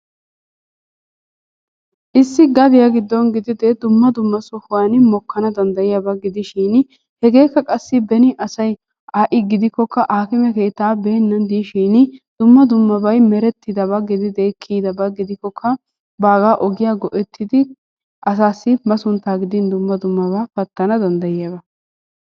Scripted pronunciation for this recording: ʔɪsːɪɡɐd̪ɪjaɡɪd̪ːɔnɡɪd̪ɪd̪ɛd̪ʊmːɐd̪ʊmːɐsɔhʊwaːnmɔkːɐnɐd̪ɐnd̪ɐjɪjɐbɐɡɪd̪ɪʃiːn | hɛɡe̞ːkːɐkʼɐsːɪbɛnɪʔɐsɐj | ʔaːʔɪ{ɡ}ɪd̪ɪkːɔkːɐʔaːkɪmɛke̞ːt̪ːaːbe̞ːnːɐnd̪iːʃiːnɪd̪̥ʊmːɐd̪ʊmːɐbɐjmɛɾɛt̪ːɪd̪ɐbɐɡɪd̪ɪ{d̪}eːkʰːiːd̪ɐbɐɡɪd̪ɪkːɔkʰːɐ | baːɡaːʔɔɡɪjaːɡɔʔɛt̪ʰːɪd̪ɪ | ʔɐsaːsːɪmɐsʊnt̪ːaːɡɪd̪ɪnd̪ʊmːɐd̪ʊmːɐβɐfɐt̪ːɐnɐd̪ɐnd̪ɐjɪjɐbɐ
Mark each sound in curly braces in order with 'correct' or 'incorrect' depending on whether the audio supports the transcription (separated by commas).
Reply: correct, correct